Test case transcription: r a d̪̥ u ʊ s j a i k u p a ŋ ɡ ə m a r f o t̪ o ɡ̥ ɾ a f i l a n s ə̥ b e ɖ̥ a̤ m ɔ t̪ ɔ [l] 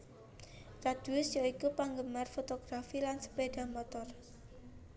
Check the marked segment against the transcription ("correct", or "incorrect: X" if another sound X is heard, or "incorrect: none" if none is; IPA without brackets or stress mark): incorrect: r